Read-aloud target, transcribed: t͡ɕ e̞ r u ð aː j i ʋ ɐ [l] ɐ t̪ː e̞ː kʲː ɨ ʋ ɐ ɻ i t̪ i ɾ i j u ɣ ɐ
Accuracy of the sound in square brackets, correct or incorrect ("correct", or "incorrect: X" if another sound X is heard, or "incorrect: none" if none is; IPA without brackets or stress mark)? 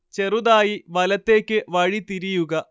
correct